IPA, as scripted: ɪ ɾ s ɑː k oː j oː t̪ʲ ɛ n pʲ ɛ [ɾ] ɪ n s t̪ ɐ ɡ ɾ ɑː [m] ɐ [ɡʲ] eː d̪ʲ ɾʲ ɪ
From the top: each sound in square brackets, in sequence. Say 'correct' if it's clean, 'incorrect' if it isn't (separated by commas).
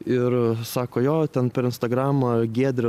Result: correct, correct, correct